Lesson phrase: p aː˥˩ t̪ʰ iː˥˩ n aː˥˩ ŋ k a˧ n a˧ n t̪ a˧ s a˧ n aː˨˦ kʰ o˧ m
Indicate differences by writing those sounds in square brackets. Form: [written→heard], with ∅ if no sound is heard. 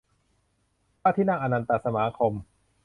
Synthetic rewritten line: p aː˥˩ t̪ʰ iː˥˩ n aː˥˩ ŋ [k→ʔ] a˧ n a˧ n t̪ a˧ s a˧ [n→m] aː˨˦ kʰ o˧ m